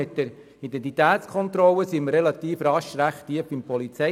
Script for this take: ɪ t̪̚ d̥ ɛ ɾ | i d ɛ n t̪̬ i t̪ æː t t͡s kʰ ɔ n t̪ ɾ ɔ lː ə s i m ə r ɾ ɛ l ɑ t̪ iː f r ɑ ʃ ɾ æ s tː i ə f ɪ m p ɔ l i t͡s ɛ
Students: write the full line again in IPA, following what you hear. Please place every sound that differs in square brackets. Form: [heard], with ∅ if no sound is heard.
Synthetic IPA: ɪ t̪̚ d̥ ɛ ɾ | i d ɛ n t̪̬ i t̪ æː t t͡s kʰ ɔ n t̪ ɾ ɔ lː ə s i m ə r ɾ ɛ l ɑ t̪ iː f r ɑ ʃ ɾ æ [χ] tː i ə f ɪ m p ɔ l i t͡s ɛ